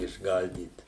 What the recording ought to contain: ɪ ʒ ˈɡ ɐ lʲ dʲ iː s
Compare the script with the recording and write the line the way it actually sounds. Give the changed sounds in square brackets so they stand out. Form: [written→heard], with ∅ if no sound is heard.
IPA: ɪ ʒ ˈɡ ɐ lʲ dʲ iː [s→t]